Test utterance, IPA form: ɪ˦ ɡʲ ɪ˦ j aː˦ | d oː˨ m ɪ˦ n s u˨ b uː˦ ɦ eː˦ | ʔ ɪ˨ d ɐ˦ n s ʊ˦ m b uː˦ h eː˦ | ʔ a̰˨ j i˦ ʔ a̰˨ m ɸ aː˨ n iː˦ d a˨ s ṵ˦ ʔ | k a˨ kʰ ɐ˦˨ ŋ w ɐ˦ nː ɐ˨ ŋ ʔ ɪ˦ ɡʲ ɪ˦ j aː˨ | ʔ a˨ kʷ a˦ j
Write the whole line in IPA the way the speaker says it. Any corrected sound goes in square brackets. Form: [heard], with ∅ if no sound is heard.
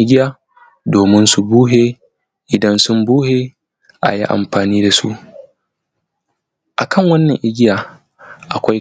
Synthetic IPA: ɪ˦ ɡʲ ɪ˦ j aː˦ | d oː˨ m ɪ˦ n s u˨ b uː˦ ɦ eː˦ | ʔ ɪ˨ d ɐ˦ n s ʊ˦ m b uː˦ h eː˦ | ʔ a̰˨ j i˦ ʔ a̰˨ m ɸ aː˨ n iː˦ d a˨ s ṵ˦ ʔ | [ʔ] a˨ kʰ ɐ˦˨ ŋ w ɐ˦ nː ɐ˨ ŋ ʔ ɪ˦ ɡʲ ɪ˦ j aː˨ | ʔ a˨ kʷ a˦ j